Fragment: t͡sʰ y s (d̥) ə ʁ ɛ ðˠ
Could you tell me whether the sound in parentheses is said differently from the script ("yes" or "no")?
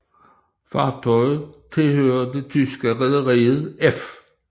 yes